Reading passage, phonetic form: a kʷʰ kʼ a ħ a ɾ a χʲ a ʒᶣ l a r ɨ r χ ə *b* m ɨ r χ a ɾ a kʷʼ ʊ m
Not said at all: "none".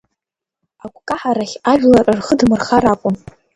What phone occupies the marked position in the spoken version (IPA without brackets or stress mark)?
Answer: d